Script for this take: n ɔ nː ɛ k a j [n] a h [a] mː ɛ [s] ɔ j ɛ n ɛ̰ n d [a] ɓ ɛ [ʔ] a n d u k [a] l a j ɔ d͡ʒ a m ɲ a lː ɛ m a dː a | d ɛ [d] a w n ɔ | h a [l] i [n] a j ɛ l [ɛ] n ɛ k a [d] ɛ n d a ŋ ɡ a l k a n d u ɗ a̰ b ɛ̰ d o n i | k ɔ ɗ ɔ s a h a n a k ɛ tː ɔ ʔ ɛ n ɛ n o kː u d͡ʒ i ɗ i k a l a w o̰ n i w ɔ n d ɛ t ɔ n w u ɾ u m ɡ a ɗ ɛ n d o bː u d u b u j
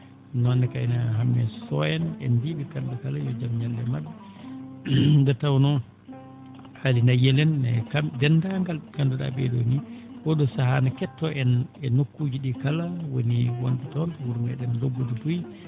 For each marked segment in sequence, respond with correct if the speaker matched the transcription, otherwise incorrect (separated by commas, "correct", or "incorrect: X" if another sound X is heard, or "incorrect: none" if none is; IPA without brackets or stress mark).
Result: correct, correct, correct, incorrect: i, incorrect: k, correct, incorrect: t, correct, correct, correct, correct